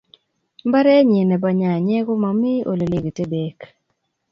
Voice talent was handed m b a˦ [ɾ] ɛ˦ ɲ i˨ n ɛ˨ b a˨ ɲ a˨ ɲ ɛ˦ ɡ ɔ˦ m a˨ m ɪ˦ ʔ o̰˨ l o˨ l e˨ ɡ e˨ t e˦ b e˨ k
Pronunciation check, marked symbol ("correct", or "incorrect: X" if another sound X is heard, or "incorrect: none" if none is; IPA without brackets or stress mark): correct